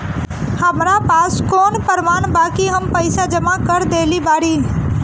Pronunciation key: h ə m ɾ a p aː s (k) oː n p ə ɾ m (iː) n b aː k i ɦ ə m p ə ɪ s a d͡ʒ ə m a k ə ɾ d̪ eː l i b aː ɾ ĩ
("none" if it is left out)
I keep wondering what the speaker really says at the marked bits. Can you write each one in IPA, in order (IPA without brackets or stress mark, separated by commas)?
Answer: k, aː